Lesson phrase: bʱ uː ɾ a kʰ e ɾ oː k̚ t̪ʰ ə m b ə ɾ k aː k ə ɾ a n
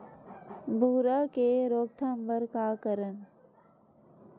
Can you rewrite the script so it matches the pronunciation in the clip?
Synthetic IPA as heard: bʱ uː ɾ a k e ɾ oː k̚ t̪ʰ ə m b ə ɾ k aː k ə ɾ ə n